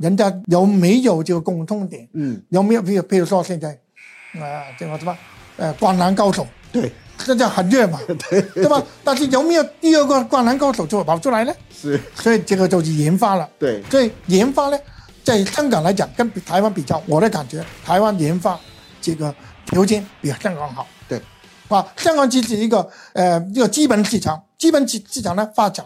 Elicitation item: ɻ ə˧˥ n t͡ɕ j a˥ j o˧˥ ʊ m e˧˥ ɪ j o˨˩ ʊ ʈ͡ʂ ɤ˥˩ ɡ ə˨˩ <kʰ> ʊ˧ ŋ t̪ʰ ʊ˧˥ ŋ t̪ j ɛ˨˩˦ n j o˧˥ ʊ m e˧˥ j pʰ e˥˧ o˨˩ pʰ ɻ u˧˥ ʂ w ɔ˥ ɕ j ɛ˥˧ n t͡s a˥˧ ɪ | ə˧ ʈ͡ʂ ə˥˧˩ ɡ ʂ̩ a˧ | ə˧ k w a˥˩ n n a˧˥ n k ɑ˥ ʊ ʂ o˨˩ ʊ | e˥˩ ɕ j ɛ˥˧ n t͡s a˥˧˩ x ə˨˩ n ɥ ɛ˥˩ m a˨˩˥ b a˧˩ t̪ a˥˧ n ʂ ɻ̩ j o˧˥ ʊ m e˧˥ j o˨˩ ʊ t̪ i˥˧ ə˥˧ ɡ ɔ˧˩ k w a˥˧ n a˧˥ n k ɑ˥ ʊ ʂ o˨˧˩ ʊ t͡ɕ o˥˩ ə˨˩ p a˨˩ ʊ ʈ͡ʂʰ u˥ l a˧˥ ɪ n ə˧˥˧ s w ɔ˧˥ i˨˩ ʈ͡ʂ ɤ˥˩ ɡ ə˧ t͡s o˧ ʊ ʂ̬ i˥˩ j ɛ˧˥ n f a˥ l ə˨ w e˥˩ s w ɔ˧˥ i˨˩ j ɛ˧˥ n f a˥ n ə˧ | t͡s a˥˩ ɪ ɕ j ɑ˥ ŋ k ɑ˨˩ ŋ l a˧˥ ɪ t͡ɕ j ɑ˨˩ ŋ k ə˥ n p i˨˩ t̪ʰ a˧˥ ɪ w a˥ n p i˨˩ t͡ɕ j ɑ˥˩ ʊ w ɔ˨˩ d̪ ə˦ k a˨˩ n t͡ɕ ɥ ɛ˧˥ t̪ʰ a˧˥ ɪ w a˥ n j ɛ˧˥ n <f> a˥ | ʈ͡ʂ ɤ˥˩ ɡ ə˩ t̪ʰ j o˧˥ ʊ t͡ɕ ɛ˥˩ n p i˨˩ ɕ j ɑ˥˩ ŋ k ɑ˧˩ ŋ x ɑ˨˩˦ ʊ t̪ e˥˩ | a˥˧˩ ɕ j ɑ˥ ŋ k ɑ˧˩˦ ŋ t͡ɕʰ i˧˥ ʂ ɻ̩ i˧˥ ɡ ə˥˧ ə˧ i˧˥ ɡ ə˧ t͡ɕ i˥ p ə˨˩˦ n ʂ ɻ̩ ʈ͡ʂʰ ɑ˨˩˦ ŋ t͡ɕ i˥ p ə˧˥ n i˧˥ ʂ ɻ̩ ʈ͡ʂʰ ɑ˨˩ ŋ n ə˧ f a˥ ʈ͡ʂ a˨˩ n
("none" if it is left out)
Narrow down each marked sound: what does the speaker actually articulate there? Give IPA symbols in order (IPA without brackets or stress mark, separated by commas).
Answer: k, f